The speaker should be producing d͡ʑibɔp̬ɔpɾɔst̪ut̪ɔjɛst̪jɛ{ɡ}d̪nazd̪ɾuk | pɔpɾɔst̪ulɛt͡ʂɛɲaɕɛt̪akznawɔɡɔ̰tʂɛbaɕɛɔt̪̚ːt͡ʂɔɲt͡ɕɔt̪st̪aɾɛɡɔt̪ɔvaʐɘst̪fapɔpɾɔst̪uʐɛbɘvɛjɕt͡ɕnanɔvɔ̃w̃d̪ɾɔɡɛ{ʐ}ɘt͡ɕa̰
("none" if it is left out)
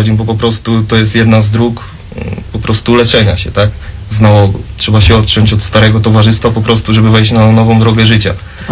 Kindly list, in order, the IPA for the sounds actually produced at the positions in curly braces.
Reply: none, ʐ

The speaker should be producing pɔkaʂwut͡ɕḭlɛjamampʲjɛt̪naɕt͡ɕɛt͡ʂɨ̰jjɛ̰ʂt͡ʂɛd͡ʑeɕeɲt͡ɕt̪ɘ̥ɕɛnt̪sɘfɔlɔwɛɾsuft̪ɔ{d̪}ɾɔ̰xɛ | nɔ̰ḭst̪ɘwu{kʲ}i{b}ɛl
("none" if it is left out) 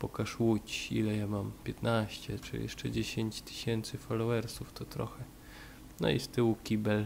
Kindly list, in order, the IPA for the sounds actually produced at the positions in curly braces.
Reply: t̪, kʲ, b

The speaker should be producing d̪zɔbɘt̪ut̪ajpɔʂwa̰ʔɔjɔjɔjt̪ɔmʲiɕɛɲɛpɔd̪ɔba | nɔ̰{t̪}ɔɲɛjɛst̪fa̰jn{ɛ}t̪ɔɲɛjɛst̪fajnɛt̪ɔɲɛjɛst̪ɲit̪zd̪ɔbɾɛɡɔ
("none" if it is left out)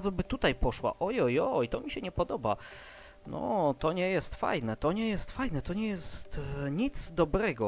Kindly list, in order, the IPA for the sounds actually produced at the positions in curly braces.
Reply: t̪, ɛ

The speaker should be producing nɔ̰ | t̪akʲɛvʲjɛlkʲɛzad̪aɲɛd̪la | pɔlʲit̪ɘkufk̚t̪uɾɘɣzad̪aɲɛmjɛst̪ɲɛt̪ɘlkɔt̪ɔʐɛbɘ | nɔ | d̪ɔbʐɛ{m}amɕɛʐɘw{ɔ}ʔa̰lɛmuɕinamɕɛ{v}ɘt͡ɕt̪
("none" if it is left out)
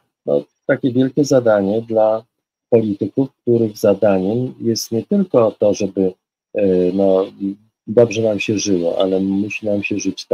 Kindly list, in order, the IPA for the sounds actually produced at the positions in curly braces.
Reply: n, ɔ, ʐ

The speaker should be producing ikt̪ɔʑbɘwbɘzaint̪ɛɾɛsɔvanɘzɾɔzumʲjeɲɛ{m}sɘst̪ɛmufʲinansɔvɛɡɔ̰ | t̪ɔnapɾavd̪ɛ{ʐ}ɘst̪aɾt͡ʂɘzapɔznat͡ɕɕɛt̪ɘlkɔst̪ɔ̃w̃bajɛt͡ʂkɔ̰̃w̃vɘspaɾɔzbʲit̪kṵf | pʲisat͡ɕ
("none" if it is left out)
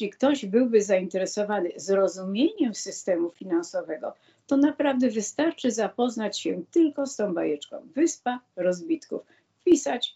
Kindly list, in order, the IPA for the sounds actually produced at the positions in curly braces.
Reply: m, v

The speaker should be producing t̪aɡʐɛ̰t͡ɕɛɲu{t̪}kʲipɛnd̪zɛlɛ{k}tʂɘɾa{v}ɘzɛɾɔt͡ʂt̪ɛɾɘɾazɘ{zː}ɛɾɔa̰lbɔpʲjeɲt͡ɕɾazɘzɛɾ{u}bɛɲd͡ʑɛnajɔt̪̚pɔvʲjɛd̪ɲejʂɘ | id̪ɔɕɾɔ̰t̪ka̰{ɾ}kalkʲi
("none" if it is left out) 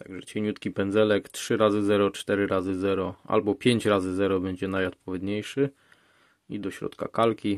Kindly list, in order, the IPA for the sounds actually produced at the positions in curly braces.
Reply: t̪, k, z, z, ɔ, none

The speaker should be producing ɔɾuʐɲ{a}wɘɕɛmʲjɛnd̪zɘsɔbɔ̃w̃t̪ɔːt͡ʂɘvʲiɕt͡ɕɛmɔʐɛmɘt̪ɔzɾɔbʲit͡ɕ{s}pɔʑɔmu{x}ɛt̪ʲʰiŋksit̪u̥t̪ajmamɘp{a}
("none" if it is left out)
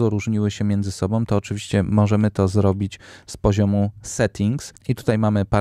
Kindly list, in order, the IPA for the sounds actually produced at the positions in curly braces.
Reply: i, s, s, a

